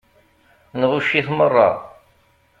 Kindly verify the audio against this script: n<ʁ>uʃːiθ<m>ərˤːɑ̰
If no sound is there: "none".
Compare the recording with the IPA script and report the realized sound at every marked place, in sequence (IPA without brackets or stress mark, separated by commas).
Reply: ʁ, m